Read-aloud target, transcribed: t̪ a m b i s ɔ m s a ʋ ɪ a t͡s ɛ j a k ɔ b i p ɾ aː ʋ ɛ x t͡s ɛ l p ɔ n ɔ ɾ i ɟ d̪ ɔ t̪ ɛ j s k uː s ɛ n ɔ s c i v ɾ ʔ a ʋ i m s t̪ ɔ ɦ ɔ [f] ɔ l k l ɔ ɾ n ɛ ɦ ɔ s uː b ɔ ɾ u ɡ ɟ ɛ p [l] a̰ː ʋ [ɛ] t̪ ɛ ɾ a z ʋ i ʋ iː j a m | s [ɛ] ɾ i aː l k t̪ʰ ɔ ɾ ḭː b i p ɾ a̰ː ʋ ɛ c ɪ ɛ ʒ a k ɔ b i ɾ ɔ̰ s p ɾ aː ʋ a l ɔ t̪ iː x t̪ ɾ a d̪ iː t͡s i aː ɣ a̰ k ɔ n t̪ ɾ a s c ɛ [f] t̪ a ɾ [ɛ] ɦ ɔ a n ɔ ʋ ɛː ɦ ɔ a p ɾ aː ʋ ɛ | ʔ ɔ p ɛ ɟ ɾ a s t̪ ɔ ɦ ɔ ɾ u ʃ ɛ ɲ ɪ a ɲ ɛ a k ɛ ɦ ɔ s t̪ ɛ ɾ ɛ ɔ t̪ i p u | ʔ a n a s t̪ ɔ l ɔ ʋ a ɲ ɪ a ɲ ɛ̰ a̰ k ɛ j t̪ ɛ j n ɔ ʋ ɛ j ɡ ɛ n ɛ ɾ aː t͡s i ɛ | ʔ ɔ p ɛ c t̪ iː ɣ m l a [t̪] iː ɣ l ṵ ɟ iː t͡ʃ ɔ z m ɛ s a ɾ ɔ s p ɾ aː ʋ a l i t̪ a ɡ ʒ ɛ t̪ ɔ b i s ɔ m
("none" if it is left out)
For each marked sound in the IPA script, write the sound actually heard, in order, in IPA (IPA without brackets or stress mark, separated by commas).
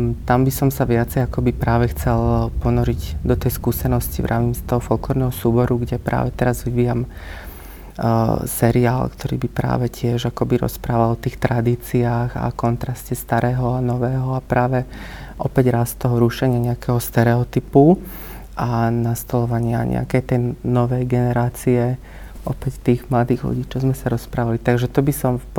f, ɾ, ɛ, ɛ, s, ɛː, d̪